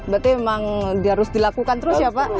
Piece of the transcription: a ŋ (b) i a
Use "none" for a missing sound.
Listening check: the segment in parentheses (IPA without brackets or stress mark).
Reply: d